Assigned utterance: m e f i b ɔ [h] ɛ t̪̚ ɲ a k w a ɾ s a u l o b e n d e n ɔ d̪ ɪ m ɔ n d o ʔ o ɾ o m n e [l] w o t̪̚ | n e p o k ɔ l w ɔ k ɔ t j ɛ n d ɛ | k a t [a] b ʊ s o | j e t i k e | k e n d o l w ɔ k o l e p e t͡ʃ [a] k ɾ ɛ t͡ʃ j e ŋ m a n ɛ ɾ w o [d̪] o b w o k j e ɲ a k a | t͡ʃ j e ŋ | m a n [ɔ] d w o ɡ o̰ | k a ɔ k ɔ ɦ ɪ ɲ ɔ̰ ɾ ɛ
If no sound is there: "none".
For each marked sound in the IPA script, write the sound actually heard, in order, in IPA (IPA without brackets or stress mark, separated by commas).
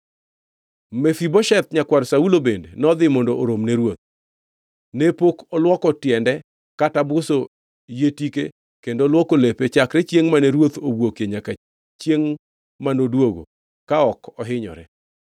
ʃ, ɾ, a, a, t̪, o